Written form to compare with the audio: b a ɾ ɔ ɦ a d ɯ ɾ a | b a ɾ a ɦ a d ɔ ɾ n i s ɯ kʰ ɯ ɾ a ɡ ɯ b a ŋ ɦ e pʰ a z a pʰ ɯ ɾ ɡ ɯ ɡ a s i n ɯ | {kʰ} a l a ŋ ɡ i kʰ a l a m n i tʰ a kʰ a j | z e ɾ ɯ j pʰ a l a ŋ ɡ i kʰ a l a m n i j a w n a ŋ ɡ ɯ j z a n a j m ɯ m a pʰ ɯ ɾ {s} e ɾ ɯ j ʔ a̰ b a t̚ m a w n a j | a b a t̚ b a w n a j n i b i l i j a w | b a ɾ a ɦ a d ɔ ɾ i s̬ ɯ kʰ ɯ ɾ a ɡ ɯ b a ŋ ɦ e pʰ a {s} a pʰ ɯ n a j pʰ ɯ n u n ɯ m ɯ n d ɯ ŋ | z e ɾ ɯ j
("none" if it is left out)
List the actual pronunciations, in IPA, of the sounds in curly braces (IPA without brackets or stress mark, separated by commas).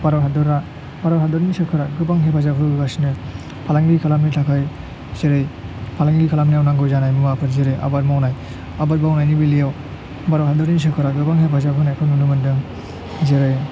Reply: pʰ, z, z